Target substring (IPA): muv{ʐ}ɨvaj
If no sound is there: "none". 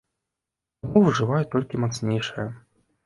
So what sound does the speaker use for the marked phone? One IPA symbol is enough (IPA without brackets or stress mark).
ʐ